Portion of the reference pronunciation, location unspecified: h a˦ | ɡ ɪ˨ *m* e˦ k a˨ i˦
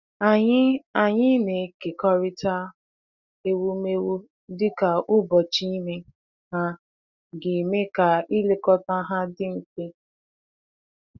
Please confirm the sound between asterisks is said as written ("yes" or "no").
yes